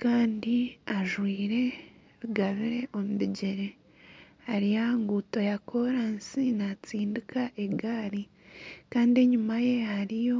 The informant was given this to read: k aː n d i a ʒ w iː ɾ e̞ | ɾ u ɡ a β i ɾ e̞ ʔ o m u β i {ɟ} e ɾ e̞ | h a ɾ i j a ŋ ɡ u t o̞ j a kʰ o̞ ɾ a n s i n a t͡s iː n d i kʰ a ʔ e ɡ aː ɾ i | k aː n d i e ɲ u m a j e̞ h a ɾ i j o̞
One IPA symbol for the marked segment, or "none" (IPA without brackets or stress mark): ɟ